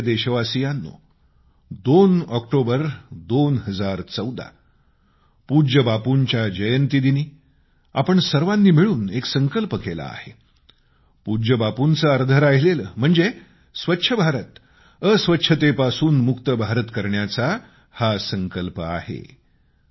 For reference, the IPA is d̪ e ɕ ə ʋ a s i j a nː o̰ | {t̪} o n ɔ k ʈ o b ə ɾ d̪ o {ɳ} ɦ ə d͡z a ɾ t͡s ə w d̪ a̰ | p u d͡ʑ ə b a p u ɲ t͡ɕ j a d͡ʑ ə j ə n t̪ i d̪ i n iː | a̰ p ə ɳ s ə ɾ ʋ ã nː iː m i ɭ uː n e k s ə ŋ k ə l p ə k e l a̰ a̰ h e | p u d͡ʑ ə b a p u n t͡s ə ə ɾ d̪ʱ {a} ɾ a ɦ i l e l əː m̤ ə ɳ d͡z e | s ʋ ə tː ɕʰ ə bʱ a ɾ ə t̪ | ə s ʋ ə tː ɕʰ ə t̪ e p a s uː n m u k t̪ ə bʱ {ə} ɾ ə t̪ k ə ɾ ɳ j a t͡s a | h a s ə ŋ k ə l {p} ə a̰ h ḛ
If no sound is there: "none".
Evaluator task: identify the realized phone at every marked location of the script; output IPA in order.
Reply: d̪, n, ə, a, p

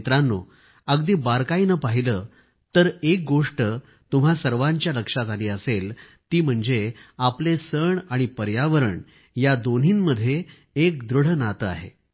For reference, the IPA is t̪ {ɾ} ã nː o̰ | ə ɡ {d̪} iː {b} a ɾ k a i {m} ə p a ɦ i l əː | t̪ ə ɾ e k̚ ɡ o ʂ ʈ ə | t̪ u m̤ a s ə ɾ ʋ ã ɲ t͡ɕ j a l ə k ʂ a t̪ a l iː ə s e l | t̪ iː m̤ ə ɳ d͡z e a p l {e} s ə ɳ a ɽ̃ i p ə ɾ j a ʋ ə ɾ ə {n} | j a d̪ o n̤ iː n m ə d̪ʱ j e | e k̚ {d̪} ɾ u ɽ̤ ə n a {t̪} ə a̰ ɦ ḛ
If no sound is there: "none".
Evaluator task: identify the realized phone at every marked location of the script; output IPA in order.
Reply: ɾ, d̪, b, n, e, ɳ, d̪, t̪

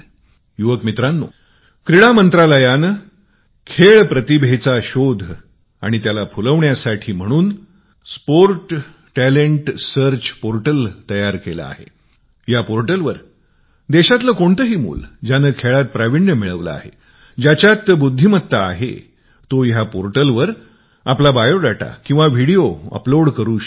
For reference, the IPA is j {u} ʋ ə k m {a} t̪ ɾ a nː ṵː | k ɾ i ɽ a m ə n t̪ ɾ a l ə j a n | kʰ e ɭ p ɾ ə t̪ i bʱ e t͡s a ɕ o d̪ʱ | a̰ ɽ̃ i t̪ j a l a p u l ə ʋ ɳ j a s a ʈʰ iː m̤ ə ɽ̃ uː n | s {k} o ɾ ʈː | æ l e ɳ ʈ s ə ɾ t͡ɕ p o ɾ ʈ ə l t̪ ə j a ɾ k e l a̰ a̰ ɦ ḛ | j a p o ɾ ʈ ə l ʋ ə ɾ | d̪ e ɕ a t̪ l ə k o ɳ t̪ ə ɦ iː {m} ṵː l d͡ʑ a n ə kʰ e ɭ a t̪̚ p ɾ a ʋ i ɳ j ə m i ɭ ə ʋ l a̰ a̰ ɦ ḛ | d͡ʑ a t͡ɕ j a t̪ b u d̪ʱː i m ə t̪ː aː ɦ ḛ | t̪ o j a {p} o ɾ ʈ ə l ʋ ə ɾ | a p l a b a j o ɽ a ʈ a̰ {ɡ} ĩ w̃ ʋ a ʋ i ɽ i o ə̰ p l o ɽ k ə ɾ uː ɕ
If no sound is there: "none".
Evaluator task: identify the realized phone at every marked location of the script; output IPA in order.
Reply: u, i, p, m, p, k

